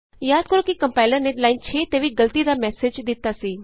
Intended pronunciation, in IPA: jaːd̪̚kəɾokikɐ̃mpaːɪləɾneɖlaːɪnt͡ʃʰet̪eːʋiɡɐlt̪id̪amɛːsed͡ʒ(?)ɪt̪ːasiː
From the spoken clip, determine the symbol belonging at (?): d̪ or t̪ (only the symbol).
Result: d̪